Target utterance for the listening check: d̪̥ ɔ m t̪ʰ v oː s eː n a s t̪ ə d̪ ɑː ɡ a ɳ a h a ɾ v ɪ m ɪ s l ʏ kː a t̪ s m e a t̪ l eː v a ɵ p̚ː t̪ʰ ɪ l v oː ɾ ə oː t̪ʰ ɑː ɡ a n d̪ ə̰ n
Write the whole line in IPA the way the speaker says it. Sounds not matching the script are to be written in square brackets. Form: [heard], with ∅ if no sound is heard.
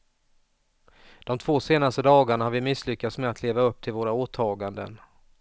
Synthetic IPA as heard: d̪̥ ɔ m t̪ʰ v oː s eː n a s t̪ ə d̪ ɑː ɡ a ɳ a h a ɾ v ɪ m ɪ s l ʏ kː a t̪ s m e a t̪ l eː v a ɵ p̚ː t̪ʰ ɪ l v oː ɾ [a] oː t̪ʰ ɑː ɡ a n d̪ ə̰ n